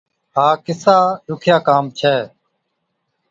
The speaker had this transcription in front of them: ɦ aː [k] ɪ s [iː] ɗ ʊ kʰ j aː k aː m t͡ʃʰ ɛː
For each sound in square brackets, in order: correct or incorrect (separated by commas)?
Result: correct, incorrect